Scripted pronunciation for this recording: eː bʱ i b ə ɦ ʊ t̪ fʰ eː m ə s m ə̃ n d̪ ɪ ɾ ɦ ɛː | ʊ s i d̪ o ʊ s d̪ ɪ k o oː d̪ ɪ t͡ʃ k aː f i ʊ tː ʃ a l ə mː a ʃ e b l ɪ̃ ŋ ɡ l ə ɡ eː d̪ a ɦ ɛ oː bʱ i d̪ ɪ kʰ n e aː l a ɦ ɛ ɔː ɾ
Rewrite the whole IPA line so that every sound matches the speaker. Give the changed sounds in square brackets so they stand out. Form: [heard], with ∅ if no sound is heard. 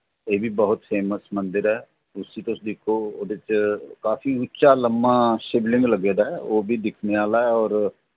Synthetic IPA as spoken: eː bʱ i b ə ɦ ʊ t̪ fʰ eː m ə s m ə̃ n d̪ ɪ ɾ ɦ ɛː | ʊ s i [t̪] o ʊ s d̪ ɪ [kʰ] o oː d̪ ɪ t͡ʃ k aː f i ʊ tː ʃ a l ə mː a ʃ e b l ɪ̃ ŋ ɡ l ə ɡ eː d̪ a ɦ ɛ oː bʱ i d̪ ɪ kʰ n e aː l a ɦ ɛ ɔː ɾ